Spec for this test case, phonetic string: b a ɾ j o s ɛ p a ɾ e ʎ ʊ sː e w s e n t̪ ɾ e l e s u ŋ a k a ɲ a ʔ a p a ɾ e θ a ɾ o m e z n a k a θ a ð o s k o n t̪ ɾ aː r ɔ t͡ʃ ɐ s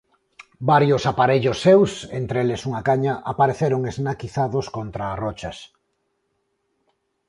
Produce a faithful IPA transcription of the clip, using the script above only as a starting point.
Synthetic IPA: b a ɾ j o s a p a ɾ e ʎ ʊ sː e w s e n t̪ ɾ e l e s u ŋ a k a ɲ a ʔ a p a ɾ e θ e ɾ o ŋ e z n a k i θ a ð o s k o n t̪ ɾ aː r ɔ t͡ʃ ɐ s